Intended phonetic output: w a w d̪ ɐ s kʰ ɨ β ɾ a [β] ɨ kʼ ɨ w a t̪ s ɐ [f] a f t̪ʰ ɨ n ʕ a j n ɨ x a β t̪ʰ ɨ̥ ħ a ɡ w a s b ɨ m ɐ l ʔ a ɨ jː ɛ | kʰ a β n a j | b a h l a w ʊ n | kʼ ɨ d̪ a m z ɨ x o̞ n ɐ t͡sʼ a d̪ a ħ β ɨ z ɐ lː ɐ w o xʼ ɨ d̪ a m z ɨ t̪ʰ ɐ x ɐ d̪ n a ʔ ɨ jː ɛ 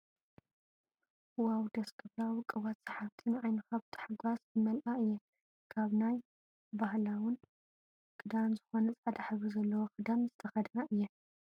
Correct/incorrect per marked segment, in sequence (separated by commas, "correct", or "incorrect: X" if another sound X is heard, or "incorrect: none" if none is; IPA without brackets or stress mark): incorrect: w, incorrect: ħ